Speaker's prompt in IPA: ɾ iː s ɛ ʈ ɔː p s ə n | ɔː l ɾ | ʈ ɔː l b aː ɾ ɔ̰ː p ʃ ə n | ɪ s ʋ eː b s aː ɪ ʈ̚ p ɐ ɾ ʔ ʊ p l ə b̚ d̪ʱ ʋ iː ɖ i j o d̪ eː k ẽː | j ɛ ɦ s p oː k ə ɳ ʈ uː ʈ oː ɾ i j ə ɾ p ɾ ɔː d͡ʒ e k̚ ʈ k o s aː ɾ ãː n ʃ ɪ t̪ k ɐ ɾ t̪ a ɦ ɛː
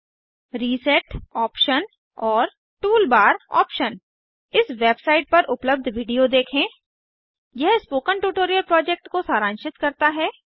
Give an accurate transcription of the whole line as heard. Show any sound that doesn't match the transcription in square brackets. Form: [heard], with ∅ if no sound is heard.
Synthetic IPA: ɾ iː s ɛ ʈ ɔː p [ʃ] ə n | ɔː [∅] ɾ | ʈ [uː] l b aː ɾ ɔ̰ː p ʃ ə n | ɪ s ʋ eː b s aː ɪ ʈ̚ p ɐ ɾ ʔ ʊ p l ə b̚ d̪ʱ ʋ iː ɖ i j o d̪ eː [kʰ] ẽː | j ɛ ɦ s p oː k ə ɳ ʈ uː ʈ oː ɾ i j ə [l] p ɾ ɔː d͡ʒ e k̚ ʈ k o s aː ɾ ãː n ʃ ɪ t̪ k ɐ ɾ t̪ a ɦ ɛː